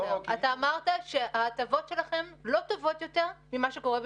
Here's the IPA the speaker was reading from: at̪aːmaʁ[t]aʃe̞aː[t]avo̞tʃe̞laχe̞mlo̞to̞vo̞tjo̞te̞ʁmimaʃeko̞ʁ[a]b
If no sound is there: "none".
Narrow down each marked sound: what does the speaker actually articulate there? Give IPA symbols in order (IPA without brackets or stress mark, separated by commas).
t, t, e